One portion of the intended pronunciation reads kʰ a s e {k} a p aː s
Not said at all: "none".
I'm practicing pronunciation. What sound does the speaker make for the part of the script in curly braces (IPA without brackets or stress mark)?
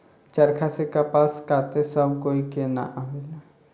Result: k